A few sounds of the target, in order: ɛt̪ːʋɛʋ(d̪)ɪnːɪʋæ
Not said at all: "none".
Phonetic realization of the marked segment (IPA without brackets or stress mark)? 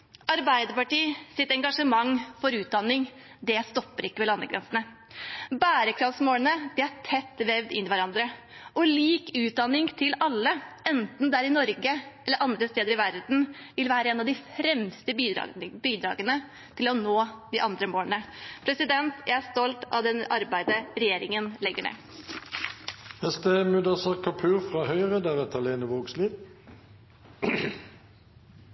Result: d̪